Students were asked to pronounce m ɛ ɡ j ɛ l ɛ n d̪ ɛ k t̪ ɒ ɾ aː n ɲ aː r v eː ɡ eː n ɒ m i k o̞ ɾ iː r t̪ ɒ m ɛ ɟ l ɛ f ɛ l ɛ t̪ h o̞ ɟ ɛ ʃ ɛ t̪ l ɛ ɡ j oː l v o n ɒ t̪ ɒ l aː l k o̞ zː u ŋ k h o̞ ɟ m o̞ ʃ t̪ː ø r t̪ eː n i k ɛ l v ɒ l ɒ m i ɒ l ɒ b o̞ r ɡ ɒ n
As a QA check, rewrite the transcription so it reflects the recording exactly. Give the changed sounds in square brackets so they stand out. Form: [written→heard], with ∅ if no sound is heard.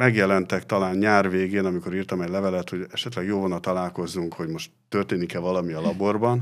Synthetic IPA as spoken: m ɛ ɡ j ɛ l ɛ n [d̪→t̪] ɛ k t̪ ɒ [ɾ→l] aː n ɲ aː r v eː ɡ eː n ɒ m i k o̞ ɾ iː r t̪ ɒ m ɛ ɟ l ɛ [f→v] ɛ l ɛ t̪ h o̞ ɟ ɛ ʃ ɛ t̪ l ɛ ɡ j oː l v o n ɒ t̪ ɒ l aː l k o̞ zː u ŋ k h o̞ ɟ m o̞ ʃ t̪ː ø r t̪ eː n i k ɛ l v ɒ l ɒ m i ɒ l ɒ b o̞ r [ɡ→b] ɒ n